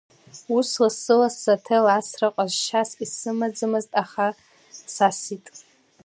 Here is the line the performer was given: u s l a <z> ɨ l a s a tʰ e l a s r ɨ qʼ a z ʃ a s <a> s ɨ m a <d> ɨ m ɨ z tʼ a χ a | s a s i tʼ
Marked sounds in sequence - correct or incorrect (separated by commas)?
incorrect, incorrect, incorrect